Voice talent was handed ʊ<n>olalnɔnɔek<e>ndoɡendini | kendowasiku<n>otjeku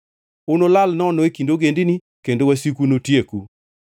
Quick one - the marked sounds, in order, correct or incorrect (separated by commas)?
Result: correct, incorrect, correct